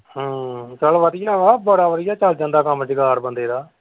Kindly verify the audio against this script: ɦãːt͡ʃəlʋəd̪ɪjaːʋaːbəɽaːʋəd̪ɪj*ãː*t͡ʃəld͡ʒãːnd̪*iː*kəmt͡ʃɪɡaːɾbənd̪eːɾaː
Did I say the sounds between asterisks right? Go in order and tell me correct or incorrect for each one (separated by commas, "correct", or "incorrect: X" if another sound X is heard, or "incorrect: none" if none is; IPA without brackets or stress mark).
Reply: incorrect: aː, incorrect: aː